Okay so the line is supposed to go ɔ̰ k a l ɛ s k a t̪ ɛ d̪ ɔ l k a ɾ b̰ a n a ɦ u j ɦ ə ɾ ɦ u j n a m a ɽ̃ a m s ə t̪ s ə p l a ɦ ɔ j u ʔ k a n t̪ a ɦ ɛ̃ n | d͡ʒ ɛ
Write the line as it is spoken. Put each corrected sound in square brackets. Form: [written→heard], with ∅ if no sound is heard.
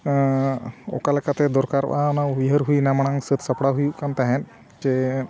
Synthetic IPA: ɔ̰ k a l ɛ [s→∅] k a t̪ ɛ d̪ ɔ [l→ɾ] k a ɾ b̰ a n a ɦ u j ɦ ə ɾ ɦ u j n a m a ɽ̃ a [m→ŋ] s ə t̪ s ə p [l→ɽ] a ɦ [ɔ→u] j u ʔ k a n t̪ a ɦ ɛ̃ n | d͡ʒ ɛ